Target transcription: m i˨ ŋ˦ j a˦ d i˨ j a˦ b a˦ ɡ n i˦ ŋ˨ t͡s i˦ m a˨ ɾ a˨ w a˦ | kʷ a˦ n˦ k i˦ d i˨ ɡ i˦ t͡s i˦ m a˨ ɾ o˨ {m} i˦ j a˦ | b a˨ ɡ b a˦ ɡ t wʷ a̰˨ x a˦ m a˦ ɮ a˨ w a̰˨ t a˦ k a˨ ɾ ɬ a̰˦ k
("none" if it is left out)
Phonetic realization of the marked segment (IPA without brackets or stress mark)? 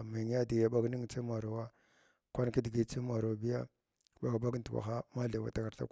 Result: b